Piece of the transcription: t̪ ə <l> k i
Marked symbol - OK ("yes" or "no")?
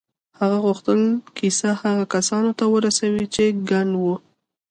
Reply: yes